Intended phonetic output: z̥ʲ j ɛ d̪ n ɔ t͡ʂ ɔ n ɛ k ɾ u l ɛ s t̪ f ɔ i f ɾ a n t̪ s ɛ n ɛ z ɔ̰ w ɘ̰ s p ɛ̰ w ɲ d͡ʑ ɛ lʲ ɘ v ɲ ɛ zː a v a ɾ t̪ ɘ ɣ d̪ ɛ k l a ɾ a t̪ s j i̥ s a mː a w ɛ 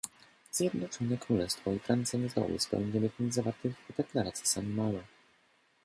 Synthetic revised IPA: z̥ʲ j ɛ d̪ n ɔ t͡ʂ ɔ n ɛ k ɾ u l ɛ s t̪ f ɔ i f ɾ a n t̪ s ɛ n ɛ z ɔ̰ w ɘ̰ s p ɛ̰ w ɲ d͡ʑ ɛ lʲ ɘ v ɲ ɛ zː a v a ɾ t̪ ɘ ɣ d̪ ɛ k l a ɾ a t̪ s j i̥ s a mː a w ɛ